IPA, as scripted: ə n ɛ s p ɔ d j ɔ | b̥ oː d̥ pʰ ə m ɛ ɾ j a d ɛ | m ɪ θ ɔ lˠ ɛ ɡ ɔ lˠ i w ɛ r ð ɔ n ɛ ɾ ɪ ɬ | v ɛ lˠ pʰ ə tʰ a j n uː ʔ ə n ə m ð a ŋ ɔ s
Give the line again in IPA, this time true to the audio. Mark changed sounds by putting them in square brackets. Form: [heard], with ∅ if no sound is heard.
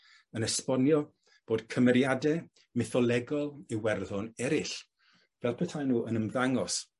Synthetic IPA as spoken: ə n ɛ s p ɔ [n] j ɔ | b̥ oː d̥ [kʰ] ə m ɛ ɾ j a d ɛ | m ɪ θ ɔ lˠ ɛ ɡ ɔ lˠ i w ɛ r ð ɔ n ɛ ɾ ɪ ɬ | v ɛ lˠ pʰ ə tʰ a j n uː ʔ ə n ə m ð a ŋ ɔ s

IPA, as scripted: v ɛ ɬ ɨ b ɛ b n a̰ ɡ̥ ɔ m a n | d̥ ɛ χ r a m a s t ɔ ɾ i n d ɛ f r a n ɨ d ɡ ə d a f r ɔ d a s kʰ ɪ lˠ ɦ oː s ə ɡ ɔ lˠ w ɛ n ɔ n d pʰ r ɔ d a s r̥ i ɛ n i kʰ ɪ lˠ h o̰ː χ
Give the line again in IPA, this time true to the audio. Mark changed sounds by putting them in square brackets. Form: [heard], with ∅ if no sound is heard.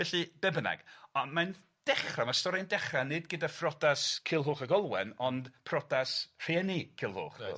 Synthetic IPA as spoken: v ɛ ɬ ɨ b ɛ b n a̰ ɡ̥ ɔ m a n | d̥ ɛ χ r a m a s t ɔ ɾ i n d ɛ [χ] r a n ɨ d ɡ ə d a f r ɔ d a s kʰ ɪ lˠ ɦ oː [χ] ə ɡ ɔ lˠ w ɛ n ɔ n d pʰ r ɔ d a s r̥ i ɛ n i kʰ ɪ lˠ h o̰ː χ

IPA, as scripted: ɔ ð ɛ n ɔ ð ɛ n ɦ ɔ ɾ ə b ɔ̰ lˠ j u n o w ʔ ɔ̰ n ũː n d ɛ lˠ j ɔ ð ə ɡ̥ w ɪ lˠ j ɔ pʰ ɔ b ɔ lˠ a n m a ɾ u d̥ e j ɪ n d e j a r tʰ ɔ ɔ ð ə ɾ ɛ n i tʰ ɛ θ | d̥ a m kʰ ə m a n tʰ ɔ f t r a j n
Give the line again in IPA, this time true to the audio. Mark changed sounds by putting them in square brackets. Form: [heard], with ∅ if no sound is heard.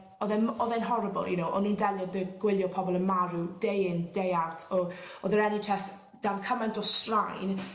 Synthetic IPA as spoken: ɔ ð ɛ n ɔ ð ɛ n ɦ ɔ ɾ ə b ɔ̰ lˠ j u n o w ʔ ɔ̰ n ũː n d ɛ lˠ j ɔ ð ə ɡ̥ w ɪ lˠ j ɔ pʰ ɔ b ɔ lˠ [ə] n m a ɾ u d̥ e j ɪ n d e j a r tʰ ɔ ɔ ð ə ɾ ɛ n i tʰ ɛ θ | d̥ a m kʰ ə m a n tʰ ɔ [s] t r a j n

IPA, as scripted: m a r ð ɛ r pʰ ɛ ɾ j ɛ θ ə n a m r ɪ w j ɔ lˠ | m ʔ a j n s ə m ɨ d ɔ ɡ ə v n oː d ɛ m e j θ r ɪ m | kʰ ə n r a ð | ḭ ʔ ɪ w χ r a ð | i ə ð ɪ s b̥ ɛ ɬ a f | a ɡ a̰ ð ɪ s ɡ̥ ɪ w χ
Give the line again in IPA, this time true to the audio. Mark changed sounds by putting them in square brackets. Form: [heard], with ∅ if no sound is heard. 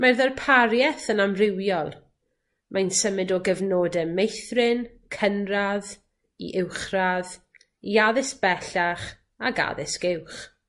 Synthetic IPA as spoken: m a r ð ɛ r pʰ [a] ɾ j ɛ θ ə n a m r ɪ w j ɔ lˠ | m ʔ a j n s ə m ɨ d ɔ ɡ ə v n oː d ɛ m e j θ r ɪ [n] | kʰ ə n r a ð | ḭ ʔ ɪ w χ r a ð | i [a] ð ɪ s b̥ ɛ ɬ a [χ] | a ɡ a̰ ð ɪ s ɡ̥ ɪ w χ

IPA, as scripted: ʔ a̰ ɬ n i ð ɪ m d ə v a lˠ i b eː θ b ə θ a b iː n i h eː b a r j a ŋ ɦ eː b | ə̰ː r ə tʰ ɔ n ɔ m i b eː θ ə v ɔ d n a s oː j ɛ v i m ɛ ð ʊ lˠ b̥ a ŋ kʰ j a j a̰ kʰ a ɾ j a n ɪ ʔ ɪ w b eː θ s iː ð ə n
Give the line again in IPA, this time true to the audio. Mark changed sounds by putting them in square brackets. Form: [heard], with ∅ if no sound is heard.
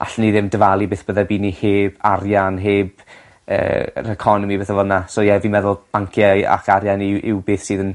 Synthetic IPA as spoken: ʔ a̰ ɬ n i ð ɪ m d ə v a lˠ i b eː θ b ə [ð] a b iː n i h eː b a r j a [n] ɦ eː b | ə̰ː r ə [kʰ] ɔ n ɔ m i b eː θ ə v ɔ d n a s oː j ɛ v i m ɛ ð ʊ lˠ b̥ a ŋ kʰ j a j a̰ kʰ a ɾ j a n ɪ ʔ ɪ w b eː θ s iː ð ə n

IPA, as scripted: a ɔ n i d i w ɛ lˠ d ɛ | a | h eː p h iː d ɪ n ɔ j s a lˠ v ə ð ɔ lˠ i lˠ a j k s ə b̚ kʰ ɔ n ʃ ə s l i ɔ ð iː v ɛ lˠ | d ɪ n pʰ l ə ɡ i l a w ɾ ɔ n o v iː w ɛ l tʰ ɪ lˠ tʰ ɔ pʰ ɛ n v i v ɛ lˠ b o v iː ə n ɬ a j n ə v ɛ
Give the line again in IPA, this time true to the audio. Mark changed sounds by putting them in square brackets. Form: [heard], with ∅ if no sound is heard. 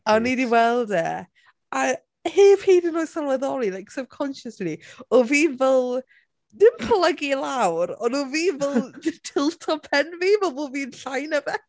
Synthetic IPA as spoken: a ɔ n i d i w ɛ lˠ d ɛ | a | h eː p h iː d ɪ n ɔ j s a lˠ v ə ð ɔ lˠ i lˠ a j k s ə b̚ kʰ ɔ n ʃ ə s l i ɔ [v] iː v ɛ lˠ | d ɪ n pʰ l ə ɡ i l a w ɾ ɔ n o v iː [v] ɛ l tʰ ɪ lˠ tʰ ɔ pʰ ɛ n v i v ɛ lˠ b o v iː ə n ɬ a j n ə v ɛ

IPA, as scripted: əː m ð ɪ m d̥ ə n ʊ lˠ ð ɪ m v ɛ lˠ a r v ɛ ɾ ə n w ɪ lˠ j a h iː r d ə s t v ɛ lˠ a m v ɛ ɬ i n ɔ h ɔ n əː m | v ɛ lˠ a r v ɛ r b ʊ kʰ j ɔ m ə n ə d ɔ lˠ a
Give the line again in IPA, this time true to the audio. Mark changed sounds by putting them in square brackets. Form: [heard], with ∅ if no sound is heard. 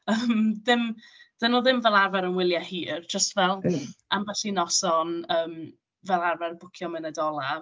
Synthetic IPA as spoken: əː m ð ɪ m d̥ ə n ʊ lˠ ð ɪ m v ɛ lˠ a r v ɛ ɾ ə n w ɪ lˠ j a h iː r [d͡ʒ] ə s t v ɛ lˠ a m v ɛ ɬ i n ɔ [s] ɔ n əː m | v ɛ lˠ a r v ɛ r b ʊ kʰ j ɔ m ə n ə d ɔ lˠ a

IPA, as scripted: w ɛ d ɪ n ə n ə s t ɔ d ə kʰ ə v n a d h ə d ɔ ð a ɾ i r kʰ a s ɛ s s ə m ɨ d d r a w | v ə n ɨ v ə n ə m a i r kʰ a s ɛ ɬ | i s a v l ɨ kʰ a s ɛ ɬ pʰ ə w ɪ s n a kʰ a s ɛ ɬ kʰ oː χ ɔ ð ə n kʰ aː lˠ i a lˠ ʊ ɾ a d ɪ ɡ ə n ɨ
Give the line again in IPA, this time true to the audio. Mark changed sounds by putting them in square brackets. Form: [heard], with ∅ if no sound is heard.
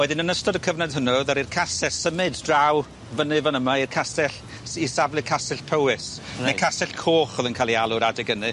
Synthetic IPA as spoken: w ɛ d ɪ n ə n ə s t ɔ d ə kʰ ə v n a d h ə [n] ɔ ð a ɾ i r kʰ a s ɛ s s ə m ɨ d d r a w | v ə n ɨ v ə n ə m a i r kʰ a s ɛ ɬ | i s a v l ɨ kʰ a s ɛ ɬ pʰ ə w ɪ s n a kʰ a s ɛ ɬ kʰ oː χ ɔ ð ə n kʰ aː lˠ i a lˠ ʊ ɾ a d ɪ ɡ ə n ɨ

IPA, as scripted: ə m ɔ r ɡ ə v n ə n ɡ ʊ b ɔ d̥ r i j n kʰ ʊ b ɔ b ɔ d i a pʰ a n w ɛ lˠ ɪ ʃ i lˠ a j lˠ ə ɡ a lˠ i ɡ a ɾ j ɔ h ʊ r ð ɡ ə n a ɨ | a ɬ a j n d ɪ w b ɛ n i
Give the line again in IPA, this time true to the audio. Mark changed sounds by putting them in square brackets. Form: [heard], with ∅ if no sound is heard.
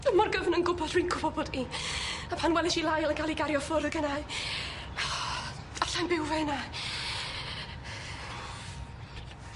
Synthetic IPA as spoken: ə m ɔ r ɡ ə v n ə n ɡ ʊ b ɔ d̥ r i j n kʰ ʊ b ɔ b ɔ d i a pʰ a n w ɛ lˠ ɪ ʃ i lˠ a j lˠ ə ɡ a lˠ i ɡ a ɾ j ɔ [f] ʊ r ð ɡ ə n a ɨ | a ɬ a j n [b] ɪ w [v] ɛ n [a]

